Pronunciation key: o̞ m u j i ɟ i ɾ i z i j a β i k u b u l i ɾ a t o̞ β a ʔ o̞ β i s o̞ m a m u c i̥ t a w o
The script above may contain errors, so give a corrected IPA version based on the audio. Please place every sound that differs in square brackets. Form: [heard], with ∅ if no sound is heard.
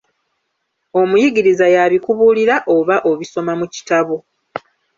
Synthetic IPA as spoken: o̞ m u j i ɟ i ɾ i z [a] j a β i k u [β] u l i ɾ a [ʔ] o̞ β a ʔ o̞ β i s o̞ m a m u c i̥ t a [β] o